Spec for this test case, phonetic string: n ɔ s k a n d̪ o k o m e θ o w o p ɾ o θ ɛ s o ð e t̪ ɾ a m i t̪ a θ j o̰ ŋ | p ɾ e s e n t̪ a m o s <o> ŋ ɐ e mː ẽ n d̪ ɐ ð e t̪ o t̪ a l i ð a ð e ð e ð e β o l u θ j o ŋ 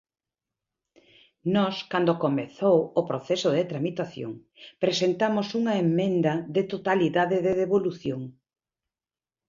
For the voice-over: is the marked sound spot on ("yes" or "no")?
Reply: no